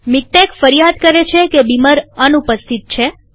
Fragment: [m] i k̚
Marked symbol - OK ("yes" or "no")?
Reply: yes